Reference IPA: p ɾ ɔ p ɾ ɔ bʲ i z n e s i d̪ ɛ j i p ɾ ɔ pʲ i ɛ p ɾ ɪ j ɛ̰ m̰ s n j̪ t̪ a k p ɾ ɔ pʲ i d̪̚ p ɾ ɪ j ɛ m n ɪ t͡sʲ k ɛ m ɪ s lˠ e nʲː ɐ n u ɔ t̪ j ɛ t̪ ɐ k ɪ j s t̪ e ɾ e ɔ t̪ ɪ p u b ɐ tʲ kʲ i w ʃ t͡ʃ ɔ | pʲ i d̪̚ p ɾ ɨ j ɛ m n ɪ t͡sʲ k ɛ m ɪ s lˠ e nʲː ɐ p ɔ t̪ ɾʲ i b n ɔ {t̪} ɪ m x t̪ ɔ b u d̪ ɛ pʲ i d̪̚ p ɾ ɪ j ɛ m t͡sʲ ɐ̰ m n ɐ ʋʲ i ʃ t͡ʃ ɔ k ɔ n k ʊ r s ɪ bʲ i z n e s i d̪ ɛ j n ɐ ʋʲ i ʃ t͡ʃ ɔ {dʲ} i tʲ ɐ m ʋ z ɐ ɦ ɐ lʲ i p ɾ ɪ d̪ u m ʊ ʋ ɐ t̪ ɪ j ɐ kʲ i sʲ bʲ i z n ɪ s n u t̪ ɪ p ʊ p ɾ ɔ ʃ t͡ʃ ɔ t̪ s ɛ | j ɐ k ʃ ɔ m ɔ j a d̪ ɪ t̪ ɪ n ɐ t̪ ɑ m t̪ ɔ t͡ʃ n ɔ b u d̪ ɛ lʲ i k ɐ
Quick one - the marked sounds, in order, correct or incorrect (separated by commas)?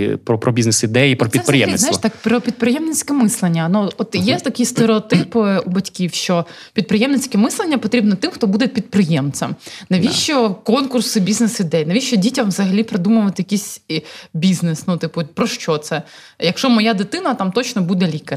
correct, correct